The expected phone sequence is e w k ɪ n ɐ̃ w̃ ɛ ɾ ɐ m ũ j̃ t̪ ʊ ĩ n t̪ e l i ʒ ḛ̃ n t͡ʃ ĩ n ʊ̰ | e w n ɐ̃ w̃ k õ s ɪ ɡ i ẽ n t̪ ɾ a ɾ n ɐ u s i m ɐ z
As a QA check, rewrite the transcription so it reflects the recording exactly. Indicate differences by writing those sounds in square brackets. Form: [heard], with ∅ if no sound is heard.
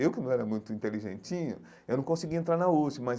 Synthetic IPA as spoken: e w k ɪ n ɐ̃ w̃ ɛ ɾ ɐ m ũ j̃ t̪ ʊ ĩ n t̪ e l i ʒ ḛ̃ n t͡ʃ ĩ [ɲ] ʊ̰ | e w n ɐ̃ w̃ k õ s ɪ ɡ i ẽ n t̪ ɾ a ɾ n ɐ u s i m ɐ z